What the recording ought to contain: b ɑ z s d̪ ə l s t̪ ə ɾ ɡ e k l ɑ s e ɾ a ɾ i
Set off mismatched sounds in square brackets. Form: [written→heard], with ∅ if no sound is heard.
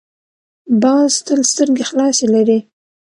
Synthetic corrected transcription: b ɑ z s [d̪→t̪] ə l s t̪ ə ɾ ɡ e [k→x] l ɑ s e [ɾ→l] a ɾ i